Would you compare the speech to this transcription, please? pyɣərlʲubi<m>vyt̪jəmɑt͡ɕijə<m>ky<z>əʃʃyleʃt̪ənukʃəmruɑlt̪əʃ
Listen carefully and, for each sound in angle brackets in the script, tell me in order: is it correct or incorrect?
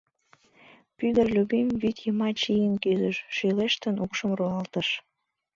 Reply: correct, incorrect: n, correct

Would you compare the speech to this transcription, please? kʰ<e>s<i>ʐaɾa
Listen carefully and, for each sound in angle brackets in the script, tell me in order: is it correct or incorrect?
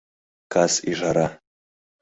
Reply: incorrect: a, correct

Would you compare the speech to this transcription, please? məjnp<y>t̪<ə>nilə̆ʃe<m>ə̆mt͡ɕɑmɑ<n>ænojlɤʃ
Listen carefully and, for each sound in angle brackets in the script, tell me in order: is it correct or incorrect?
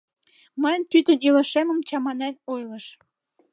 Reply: correct, correct, correct, correct

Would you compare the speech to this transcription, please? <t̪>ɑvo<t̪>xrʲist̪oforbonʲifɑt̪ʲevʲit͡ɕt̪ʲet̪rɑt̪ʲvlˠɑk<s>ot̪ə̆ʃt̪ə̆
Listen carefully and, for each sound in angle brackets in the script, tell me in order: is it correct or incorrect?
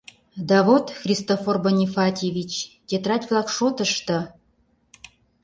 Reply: incorrect: d̪, correct, incorrect: ʃ

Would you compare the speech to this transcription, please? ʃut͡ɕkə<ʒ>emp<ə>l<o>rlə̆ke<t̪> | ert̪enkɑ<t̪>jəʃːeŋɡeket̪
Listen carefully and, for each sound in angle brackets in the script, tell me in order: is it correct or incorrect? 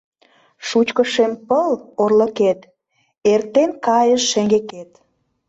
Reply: incorrect: ʃ, correct, correct, correct, incorrect: none

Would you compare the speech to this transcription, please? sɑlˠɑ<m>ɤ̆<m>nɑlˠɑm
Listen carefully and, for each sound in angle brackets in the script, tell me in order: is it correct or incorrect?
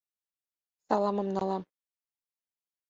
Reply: correct, correct

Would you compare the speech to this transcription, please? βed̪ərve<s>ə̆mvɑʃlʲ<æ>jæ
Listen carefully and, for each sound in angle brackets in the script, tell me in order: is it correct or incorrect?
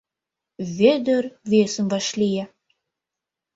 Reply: correct, incorrect: i

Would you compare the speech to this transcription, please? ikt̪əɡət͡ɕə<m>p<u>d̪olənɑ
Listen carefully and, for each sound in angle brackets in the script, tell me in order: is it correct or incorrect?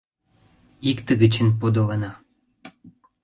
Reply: incorrect: n, incorrect: o

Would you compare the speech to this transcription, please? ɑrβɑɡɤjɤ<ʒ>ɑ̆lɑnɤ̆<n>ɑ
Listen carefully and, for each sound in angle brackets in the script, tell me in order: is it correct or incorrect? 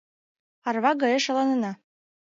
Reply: incorrect: ʃ, correct

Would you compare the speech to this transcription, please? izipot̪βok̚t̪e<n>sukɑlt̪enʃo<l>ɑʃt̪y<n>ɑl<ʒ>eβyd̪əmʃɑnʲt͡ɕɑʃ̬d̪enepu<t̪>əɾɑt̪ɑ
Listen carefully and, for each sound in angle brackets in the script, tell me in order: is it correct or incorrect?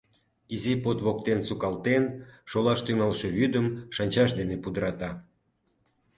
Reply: correct, correct, incorrect: ŋ, incorrect: ʃ, incorrect: d̪

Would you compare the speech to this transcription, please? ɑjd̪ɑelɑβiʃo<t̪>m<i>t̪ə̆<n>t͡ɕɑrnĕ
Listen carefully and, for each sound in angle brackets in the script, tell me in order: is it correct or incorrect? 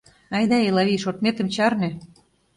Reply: correct, incorrect: e, incorrect: m

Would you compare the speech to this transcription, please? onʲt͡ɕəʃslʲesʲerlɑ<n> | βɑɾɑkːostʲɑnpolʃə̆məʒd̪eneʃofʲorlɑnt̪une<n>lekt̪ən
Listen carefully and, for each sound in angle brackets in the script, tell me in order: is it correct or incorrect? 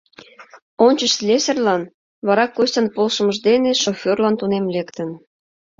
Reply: correct, incorrect: m

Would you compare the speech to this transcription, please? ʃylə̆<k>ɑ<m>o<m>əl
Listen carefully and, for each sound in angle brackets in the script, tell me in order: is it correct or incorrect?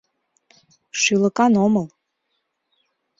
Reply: correct, incorrect: n, correct

